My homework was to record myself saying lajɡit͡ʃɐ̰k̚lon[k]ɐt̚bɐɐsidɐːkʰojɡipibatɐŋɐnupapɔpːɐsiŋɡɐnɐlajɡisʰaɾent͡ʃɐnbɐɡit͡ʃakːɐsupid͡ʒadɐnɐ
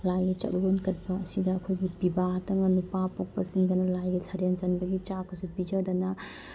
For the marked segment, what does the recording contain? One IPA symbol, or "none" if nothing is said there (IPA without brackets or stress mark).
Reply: k